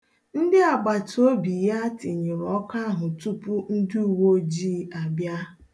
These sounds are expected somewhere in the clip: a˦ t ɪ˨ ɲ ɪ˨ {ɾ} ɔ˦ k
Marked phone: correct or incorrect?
correct